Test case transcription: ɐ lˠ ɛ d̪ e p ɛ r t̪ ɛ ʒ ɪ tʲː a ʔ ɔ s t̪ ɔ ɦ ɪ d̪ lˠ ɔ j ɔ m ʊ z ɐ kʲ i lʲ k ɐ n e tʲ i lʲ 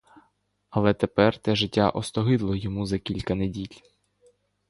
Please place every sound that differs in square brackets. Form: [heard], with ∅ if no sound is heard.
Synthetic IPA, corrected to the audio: ɐ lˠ ɛ [t̪] e p ɛ r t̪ ɛ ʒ ɪ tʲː a ʔ ɔ s t̪ ɔ ɦ ɪ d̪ lˠ ɔ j ɔ m [u] z ɐ kʲ i lʲ k ɐ n e [dʲ] i lʲ